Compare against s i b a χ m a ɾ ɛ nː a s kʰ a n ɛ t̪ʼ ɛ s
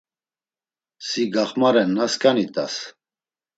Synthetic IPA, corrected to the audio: s i ɡ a χ m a ɾ ɛ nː a s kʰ a n i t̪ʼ a s